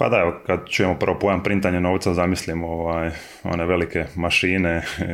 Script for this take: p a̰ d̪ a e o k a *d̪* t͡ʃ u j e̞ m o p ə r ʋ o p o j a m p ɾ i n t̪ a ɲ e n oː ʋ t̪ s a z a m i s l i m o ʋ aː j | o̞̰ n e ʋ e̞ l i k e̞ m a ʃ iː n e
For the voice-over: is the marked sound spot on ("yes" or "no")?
yes